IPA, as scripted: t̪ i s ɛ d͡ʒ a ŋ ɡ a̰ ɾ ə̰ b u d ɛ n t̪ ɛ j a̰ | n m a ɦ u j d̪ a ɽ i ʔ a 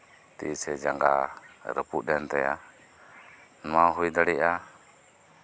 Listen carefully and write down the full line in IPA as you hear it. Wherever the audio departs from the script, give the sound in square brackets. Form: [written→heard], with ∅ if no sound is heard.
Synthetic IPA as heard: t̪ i s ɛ d͡ʒ a ŋ ɡ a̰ ɾ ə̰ [b→p] u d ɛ n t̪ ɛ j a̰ | n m a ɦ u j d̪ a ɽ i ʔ a